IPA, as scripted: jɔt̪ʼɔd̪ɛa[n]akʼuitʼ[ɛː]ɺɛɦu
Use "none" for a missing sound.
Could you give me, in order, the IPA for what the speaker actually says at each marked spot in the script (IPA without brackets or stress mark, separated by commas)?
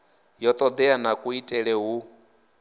n, ɛ